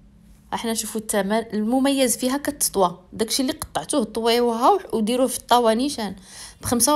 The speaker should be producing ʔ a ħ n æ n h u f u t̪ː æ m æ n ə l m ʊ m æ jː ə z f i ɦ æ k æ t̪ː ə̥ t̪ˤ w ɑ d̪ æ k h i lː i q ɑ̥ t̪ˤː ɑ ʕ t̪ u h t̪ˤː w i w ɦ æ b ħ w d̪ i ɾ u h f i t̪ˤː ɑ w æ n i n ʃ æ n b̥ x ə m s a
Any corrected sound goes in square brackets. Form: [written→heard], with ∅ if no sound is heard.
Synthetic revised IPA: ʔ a ħ n æ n [h→ʃ] u f u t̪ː æ m æ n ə l m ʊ m æ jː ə z f i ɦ æ k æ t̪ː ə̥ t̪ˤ w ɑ d̪ æ k [h→ʃ] i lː i q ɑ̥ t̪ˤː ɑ ʕ t̪ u h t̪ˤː w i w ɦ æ [b→w] ħ w d̪ i ɾ u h f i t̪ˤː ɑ w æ n i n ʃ æ n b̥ x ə m s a